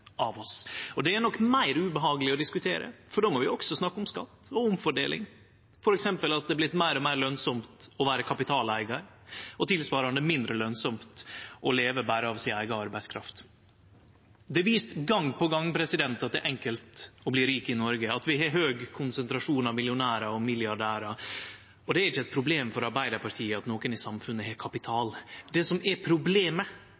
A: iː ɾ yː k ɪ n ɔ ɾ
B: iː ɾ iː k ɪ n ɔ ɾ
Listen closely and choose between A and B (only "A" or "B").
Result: B